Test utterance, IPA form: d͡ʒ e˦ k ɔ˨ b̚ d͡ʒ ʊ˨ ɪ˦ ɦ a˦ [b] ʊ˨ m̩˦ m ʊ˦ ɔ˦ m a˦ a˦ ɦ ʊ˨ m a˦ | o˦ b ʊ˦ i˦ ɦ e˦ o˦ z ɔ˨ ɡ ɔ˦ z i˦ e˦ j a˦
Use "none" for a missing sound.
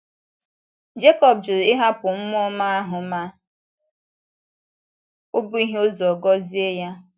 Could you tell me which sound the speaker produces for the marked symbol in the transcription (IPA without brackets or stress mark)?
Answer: p